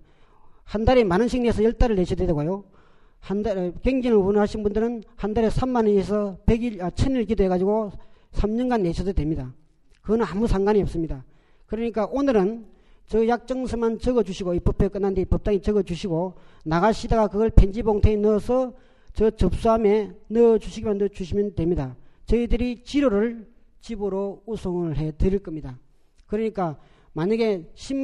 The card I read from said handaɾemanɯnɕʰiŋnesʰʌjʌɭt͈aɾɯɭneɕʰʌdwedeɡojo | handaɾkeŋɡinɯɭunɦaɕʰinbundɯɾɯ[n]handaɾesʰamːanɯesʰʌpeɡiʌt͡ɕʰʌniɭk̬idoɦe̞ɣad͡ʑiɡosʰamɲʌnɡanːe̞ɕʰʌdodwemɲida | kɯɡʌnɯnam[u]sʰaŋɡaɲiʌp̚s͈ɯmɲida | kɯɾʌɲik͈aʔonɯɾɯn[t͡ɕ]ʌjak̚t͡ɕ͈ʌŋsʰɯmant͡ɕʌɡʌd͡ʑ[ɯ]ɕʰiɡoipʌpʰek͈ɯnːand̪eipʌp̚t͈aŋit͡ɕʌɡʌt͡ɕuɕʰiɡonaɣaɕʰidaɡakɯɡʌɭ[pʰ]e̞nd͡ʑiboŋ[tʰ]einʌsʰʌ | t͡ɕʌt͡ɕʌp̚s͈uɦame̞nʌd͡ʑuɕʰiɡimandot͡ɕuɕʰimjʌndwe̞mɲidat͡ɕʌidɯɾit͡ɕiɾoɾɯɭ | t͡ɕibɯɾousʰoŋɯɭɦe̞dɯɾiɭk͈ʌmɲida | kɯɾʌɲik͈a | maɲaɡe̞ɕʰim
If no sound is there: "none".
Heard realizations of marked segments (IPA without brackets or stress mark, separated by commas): n, u, t͡ɕ, u, pʰ, tʰ